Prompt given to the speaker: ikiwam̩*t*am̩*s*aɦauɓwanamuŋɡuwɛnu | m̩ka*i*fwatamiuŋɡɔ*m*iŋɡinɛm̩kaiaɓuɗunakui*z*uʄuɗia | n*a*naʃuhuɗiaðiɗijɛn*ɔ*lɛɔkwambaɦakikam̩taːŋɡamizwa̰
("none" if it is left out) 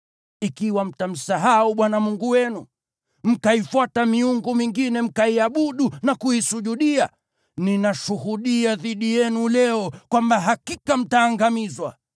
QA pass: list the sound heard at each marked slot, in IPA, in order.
t, s, i, m, s, i, u

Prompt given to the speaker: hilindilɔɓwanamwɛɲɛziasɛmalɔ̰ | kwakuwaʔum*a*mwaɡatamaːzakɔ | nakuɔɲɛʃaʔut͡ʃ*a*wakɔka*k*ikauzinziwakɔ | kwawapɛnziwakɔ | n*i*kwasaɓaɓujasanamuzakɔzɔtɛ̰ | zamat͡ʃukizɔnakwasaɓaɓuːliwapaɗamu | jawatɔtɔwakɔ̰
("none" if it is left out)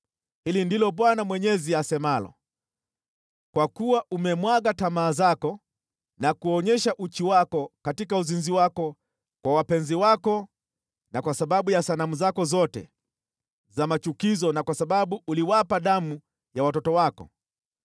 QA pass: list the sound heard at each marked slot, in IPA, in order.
ɛ, i, t, a

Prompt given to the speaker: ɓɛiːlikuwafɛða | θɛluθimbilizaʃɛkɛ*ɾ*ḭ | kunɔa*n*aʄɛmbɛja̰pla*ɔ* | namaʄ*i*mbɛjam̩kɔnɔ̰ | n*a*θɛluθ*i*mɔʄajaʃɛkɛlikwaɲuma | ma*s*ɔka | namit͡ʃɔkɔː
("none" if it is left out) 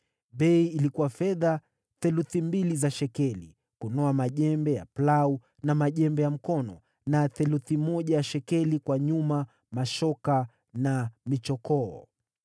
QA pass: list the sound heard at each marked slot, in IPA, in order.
l, m, u, ɛ, a, i, ʃ

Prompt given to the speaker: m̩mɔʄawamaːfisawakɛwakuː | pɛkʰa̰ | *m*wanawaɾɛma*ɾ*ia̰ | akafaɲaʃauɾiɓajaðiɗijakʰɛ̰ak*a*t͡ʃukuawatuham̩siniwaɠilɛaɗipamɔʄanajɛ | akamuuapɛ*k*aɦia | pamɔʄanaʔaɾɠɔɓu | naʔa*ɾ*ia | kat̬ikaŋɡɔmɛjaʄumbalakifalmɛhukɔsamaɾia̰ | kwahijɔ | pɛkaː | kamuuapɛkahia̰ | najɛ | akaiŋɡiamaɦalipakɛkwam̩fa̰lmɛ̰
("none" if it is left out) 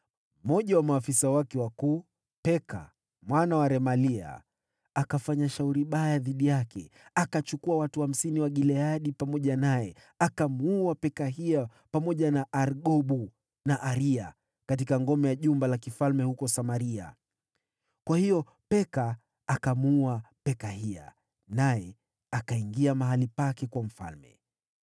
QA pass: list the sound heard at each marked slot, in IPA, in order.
m, l, a, k, ɾ

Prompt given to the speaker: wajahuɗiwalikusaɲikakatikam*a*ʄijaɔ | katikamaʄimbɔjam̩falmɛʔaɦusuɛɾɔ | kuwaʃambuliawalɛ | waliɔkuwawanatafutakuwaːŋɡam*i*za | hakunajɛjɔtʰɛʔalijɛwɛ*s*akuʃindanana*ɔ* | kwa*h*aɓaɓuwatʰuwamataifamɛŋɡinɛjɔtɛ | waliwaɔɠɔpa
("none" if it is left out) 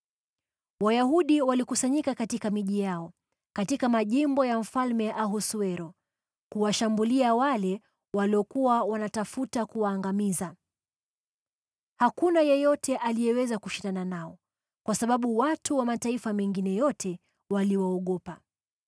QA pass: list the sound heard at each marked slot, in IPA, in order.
i, i, z, ɔ, s

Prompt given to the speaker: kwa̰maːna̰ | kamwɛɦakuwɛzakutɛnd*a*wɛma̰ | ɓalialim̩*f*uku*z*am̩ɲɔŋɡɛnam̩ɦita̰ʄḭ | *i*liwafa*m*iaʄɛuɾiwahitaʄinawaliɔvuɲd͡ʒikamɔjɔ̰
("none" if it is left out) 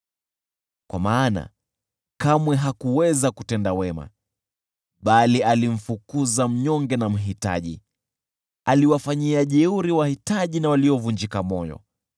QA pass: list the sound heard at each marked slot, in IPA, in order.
a, f, z, a, ɲ

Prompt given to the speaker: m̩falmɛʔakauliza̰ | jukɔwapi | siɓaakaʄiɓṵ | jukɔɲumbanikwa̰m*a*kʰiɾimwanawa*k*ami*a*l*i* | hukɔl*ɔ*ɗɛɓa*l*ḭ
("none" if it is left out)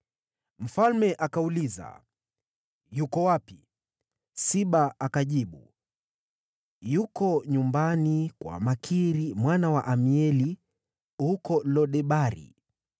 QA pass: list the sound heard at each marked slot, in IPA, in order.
a, ʔ, ɛ, i, ɔ, ɾ

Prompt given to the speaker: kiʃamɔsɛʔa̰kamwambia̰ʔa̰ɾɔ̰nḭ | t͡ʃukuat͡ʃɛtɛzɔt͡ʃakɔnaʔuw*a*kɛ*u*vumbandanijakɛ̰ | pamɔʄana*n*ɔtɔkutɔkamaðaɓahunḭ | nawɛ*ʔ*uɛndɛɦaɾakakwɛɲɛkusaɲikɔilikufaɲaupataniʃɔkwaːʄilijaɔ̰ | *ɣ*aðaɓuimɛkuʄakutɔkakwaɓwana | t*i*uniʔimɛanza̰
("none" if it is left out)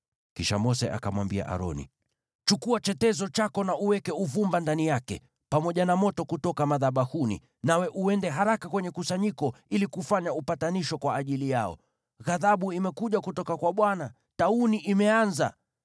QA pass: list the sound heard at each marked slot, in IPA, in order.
ɛ, u, m, ʔ, ɣ, a

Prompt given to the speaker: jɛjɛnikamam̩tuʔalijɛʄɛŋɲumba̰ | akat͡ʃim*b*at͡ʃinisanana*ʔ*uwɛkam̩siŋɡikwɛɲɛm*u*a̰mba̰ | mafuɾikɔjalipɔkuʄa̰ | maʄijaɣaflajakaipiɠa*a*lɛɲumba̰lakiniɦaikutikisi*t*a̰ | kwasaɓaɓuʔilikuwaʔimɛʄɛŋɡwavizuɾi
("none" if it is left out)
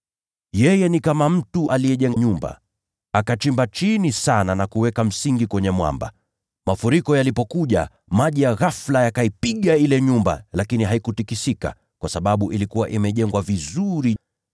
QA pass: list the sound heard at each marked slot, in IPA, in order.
b, k, w, i, k

